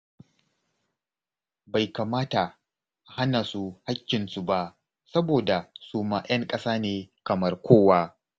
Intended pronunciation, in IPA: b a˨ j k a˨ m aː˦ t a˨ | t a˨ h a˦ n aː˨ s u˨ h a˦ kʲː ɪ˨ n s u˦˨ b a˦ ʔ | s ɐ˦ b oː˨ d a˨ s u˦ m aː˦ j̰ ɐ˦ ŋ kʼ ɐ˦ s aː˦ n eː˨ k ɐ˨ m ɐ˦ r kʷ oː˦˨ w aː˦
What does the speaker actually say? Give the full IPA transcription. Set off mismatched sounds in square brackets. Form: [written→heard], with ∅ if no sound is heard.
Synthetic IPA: b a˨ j k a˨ m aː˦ t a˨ | [t→ʔ] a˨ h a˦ n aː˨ s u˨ h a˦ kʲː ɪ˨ n s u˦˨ b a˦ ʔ | s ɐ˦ b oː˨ d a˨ s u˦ m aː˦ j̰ ɐ˦ ŋ kʼ ɐ˦ s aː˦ n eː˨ k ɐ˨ m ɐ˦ r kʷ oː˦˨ w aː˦